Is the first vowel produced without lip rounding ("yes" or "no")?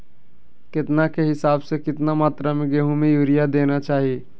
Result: yes